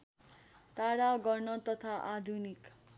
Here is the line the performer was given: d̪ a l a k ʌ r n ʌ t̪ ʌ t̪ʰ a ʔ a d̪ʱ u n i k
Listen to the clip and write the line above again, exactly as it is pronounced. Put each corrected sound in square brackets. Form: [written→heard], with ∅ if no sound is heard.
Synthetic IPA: [d̪→t̪] a [l→ɽ] a [k→ɡ] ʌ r n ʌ t̪ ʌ t̪ʰ a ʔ a d̪ʱ u n i k